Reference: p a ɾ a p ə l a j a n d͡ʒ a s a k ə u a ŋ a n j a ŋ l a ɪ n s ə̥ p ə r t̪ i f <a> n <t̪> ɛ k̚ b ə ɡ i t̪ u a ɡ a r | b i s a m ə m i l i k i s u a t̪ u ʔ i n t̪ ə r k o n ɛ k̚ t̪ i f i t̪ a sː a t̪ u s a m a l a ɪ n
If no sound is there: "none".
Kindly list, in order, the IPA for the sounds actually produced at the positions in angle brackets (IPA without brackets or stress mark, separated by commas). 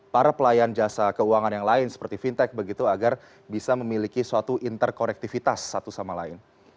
i, t̪